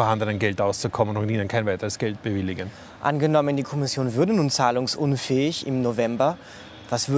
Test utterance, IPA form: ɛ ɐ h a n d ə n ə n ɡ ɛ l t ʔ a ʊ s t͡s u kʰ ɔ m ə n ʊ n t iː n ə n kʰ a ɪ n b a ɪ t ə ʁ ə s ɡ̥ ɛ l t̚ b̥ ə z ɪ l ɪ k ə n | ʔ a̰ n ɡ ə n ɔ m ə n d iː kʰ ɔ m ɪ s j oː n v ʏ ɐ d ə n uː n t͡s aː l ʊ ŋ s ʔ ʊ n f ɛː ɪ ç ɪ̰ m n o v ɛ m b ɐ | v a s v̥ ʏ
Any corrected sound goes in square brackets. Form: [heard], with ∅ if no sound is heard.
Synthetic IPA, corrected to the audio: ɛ ɐ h a n d ə n ə n ɡ ɛ l t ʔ a ʊ s t͡s u kʰ ɔ m ə n ʊ n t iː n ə n kʰ a ɪ n [v] a ɪ t ə ʁ ə s ɡ̥ ɛ l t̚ b̥ ə [v] ɪ l ɪ [ɡ] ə n | ʔ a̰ n ɡ ə n ɔ m ə n d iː kʰ ɔ m ɪ s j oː n v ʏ ɐ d ə n uː n t͡s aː l ʊ ŋ s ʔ ʊ n f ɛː ɪ ç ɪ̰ m n o v ɛ m b ɐ | v a s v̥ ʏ